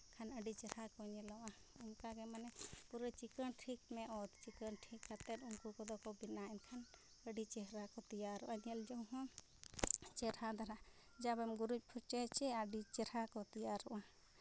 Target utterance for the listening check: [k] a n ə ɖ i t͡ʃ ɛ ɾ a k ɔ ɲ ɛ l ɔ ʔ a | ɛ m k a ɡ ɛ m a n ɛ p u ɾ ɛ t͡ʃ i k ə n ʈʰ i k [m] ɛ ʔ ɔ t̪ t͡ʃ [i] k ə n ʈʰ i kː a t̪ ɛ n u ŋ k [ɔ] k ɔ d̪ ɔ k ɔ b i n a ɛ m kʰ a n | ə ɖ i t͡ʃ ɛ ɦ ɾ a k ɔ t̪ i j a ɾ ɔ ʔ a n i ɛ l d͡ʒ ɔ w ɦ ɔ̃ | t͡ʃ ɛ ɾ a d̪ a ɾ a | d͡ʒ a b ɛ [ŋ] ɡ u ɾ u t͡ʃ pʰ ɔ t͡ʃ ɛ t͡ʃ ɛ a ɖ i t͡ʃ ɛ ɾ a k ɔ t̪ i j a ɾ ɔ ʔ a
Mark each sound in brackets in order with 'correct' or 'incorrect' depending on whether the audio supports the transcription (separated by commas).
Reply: incorrect, correct, correct, incorrect, incorrect